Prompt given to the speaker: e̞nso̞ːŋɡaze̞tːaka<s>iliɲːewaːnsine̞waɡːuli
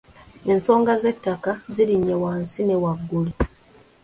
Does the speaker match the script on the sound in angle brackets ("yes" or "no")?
no